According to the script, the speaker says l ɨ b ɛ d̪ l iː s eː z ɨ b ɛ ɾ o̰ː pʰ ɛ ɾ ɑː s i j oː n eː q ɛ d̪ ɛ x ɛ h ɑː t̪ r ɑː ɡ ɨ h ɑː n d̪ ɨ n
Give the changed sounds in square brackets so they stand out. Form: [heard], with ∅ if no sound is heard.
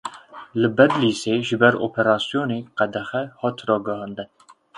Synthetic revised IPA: l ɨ b ɛ d̪ l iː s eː [ʒ] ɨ b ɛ ɾ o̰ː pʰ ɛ ɾ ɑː s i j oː n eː q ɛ d̪ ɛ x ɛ h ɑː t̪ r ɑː ɡ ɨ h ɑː n d̪ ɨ n